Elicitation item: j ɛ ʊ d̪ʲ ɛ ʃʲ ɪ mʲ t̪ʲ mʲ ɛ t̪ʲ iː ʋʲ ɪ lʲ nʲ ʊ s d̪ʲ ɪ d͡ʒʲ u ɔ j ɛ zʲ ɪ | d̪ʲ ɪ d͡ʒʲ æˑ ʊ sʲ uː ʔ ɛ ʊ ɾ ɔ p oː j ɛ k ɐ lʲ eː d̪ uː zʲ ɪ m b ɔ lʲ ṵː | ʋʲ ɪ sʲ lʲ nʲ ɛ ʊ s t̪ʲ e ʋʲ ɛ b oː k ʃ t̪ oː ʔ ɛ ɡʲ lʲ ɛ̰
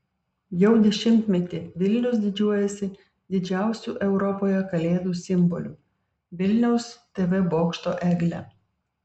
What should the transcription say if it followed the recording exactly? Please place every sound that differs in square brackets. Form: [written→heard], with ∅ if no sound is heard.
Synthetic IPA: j ɛ ʊ d̪ʲ ɛ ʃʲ ɪ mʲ t̪ʲ mʲ ɛ t̪ʲ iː ʋʲ ɪ lʲ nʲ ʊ s d̪ʲ ɪ d͡ʒʲ u ɔ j ɛ [zʲ→sʲ] ɪ | d̪ʲ ɪ d͡ʒʲ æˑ ʊ sʲ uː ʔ ɛ ʊ ɾ ɔ p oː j ɛ k ɐ lʲ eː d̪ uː [zʲ→sʲ] ɪ m b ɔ lʲ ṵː | ʋʲ ɪ [sʲ→∅] lʲ nʲ ɛ ʊ s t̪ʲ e ʋʲ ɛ b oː k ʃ t̪ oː ʔ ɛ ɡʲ lʲ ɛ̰